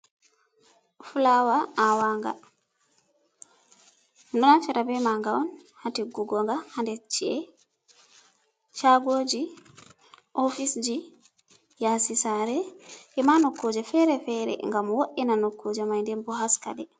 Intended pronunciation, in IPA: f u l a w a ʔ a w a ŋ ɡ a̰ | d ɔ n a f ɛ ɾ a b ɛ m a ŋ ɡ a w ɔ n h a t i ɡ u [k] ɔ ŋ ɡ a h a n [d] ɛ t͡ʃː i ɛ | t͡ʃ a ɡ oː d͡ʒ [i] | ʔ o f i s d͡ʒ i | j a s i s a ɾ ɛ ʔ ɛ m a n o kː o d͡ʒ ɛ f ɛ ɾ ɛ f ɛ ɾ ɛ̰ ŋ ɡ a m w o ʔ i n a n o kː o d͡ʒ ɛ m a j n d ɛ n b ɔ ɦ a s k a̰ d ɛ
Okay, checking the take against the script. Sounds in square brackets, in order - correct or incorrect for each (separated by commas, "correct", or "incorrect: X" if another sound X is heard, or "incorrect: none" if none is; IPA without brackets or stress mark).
incorrect: ɡ, correct, correct